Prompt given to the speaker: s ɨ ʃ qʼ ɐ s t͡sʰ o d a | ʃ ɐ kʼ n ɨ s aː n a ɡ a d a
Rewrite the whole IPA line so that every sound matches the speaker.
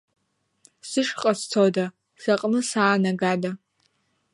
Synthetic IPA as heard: s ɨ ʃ qʼ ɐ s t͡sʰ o d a | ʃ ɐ qʼ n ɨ s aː n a ɡ a d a